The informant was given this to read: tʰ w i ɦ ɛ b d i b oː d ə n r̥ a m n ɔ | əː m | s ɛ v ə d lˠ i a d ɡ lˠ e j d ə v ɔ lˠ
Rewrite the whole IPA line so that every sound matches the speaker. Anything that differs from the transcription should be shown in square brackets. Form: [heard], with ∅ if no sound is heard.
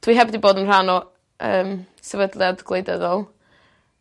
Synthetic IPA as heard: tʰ w i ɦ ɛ b d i b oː d ə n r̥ a [∅] n ɔ | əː m | s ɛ v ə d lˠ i a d ɡ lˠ e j d ə [ð] ɔ lˠ